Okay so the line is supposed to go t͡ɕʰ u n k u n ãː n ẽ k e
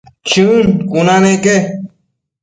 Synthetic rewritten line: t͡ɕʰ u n k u n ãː n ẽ k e